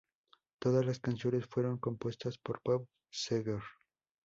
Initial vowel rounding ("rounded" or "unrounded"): rounded